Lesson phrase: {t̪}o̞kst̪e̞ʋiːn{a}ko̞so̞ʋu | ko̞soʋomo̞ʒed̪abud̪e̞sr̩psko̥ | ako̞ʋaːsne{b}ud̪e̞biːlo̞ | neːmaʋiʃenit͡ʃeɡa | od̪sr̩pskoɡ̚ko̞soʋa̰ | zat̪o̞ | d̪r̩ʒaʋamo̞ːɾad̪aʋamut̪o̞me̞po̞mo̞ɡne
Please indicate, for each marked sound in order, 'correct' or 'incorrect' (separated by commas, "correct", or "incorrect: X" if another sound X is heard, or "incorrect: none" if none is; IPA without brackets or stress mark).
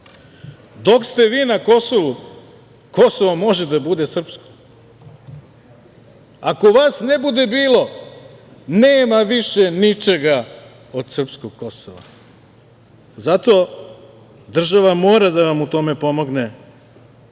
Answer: incorrect: d̪, correct, correct